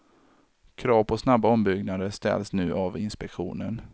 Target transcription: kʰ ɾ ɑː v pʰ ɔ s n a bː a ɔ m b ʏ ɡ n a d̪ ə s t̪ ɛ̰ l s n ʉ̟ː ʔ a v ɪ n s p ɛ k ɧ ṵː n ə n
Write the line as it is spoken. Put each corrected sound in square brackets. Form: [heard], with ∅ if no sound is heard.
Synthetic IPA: kʰ ɾ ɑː v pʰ ɔ s n a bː a ɔ m b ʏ ɡ n a d̪ ə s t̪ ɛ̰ l s n ʉ̟ː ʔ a v ɪ n s p ɛ k ɧ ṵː n ə n